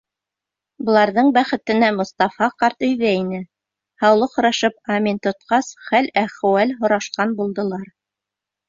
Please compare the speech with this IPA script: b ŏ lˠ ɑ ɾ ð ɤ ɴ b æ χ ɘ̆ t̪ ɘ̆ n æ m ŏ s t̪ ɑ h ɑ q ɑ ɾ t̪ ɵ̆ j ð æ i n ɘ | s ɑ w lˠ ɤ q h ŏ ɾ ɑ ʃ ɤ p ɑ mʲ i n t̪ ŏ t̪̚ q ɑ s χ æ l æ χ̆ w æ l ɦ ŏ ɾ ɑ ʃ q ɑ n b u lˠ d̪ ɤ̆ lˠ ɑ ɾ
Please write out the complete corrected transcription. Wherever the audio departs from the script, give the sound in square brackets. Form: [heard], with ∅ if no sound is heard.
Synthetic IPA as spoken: b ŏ lˠ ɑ ɾ ð ɤ ɴ b æ χ ɘ̆ t̪ ɘ̆ n æ m ŏ s t̪ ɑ [f] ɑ q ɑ ɾ t̪ ɵ̆ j ð æ i n ɘ | [h] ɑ w lˠ ɤ q h ŏ ɾ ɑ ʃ ɤ p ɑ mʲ i n t̪ ŏ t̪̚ q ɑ s χ æ l æ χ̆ w æ l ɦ ŏ ɾ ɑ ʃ q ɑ n b u lˠ d̪ ɤ̆ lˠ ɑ ɾ